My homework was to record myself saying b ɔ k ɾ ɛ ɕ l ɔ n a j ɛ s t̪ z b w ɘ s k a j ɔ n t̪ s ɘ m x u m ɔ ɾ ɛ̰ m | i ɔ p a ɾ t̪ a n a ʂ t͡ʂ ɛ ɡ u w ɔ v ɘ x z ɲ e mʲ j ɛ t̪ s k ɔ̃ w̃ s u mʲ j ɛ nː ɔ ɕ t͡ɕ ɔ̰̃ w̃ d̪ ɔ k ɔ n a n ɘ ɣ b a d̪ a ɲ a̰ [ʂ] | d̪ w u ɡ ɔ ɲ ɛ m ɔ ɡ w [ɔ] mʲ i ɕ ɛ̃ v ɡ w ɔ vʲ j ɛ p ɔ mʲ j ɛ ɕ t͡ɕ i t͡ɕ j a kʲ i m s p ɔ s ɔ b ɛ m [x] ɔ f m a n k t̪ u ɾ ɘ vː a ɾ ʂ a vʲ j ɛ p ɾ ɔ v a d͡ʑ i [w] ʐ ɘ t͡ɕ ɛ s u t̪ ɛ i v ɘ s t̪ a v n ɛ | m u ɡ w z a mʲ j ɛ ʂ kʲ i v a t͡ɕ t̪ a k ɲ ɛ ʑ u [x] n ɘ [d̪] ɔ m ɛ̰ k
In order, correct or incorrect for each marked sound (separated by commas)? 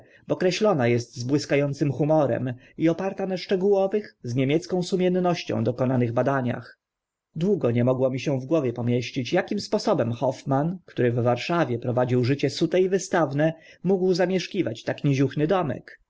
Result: incorrect, correct, correct, correct, correct, correct